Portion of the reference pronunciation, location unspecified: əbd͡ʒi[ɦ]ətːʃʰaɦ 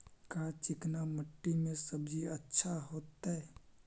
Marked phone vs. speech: incorrect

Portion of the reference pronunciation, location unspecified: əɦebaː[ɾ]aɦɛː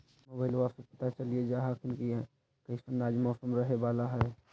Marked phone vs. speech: incorrect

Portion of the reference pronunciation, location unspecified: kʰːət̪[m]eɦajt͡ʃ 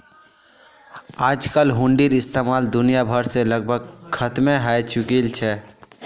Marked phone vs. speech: correct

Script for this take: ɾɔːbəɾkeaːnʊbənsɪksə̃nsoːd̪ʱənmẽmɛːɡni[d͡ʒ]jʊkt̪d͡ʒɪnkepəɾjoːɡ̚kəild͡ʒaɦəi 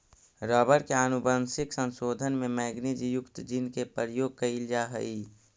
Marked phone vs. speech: correct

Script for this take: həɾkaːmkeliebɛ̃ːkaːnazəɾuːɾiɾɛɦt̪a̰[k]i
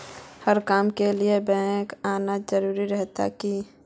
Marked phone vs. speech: correct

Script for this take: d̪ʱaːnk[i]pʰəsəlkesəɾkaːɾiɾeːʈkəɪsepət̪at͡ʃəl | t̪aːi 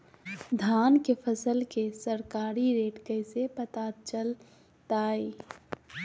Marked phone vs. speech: incorrect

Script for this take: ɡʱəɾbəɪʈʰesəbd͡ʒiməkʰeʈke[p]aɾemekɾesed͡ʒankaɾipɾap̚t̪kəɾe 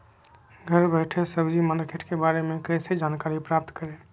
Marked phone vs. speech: incorrect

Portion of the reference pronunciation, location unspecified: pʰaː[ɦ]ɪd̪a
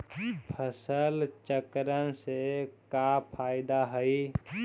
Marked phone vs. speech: incorrect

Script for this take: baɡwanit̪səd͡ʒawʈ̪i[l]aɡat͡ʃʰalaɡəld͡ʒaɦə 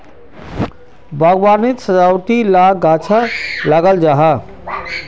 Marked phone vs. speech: correct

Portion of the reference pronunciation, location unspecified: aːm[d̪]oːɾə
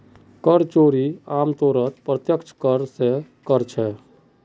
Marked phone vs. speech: incorrect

